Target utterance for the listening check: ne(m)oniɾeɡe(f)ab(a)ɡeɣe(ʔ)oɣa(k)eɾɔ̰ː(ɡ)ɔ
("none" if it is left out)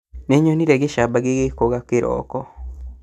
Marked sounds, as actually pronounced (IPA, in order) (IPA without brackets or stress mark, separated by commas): ɲ, ʃ, a, k, k, k